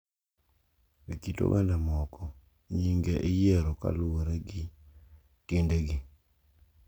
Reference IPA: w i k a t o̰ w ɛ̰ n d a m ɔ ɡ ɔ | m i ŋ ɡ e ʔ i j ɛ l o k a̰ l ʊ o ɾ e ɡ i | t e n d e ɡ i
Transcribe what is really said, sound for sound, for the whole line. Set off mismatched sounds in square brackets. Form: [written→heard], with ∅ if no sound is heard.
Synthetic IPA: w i k [a→i] t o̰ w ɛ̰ n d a m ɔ [ɡ→k] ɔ | [m→ɲ] i ŋ ɡ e ʔ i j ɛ [l→ɾ] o k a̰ l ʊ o ɾ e ɡ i | t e n d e ɡ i